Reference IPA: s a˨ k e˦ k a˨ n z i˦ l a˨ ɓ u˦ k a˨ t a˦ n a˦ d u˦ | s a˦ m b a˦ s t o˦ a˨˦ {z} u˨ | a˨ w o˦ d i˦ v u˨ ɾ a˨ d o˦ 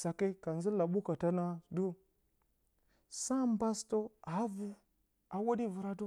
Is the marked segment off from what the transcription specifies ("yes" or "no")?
yes